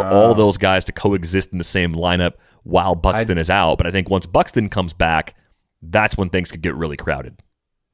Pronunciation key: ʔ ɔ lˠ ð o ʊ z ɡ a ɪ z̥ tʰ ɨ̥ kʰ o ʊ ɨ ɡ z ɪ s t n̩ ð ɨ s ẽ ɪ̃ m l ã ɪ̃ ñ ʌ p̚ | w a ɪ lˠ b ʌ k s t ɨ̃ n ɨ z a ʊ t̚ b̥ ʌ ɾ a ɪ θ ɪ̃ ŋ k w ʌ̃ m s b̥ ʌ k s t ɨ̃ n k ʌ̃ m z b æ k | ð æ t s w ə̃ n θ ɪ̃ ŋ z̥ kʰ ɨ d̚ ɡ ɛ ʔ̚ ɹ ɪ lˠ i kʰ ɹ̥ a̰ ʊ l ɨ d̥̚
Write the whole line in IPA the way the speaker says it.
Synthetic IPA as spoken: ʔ ɔ lˠ ð o ʊ z ɡ a ɪ z̥ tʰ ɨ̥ kʰ o ʊ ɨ ɡ z ɪ s t n̩ ð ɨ s ẽ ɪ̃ m l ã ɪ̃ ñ ʌ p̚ | w a ɪ lˠ b ʌ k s t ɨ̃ n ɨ z a ʊ t̚ b̥ ʌ ɾ a ɪ θ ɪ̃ ŋ k w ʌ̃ n s b̥ ʌ k s t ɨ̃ n kʰ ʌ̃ m z b æ k | ð æ t s w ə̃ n θ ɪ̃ ŋ z̥ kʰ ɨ d̚ ɡ ɛ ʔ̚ ɹ ɪ lˠ i kʰ ɹ̥ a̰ ʊ ɾ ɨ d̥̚